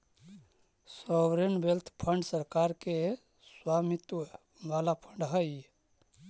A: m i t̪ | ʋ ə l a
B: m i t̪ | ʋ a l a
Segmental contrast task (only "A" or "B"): B